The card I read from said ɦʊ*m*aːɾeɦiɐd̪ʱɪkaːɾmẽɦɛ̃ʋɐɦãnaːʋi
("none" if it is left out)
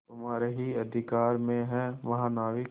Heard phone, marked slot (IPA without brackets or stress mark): m